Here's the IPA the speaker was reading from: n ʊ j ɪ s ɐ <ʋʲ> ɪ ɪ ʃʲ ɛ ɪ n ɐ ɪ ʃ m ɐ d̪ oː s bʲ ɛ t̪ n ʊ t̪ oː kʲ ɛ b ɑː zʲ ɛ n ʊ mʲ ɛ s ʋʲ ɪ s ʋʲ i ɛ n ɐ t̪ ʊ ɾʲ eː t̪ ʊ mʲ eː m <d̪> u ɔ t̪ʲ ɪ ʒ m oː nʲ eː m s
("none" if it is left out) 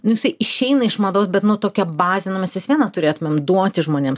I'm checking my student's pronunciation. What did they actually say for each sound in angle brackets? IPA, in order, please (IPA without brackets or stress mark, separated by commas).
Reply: none, d̪